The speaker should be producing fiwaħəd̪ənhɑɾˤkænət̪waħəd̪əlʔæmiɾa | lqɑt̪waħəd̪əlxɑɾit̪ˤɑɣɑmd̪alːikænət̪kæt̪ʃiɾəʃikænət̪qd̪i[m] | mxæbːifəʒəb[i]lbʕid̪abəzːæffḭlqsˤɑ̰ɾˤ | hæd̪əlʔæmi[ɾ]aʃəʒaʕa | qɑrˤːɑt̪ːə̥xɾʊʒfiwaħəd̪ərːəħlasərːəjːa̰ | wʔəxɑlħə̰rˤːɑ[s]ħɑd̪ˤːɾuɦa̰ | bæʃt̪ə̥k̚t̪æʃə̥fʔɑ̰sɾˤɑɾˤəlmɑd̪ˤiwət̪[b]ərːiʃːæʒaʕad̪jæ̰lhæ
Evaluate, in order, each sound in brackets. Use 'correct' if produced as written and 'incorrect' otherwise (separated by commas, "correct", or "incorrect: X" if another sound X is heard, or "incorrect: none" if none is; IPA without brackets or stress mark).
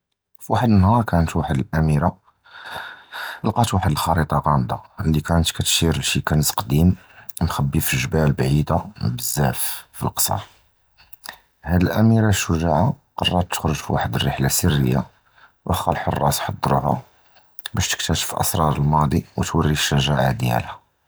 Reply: correct, incorrect: æ, correct, correct, incorrect: w